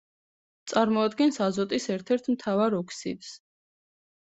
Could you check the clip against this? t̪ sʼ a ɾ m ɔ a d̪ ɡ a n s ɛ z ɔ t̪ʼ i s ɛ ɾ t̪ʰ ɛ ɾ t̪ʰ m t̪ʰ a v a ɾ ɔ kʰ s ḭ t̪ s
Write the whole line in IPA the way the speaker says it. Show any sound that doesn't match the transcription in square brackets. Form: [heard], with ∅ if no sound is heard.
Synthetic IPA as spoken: t̪ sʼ a ɾ m ɔ a d̪ ɡ [ɛ] n s [a] z ɔ t̪ʼ i s ɛ ɾ t̪ʰ ɛ ɾ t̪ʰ m t̪ʰ a v a ɾ ɔ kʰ s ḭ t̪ s